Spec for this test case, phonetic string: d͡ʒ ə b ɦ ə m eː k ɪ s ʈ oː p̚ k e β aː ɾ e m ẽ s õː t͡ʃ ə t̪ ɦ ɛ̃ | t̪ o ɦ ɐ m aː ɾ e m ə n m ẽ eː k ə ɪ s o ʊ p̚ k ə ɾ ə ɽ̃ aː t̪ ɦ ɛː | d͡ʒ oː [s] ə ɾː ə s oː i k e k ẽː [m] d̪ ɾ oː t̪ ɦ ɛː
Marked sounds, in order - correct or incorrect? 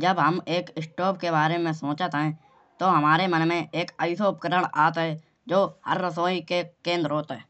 incorrect: h, incorrect: n

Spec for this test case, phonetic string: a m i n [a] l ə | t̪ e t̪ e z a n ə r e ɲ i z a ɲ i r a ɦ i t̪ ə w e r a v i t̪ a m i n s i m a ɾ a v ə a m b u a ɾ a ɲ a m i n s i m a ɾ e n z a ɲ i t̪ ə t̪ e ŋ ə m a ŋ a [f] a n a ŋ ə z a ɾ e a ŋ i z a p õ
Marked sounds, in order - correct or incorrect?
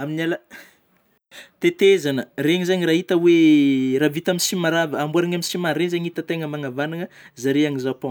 correct, incorrect: v

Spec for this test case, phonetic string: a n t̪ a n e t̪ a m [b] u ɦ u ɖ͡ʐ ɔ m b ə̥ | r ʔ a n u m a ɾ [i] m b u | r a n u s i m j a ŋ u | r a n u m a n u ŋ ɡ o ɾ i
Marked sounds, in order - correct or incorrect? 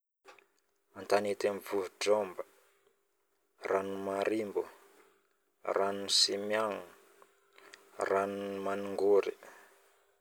incorrect: v, correct

